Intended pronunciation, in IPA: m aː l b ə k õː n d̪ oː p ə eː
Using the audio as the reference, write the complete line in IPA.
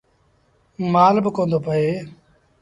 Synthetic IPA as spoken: m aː l b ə k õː n d̪ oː p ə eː